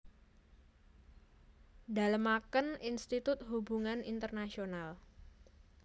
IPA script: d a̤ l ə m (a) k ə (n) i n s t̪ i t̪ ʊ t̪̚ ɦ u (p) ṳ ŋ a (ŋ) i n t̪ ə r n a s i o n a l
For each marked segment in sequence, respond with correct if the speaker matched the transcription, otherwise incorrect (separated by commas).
correct, correct, incorrect, incorrect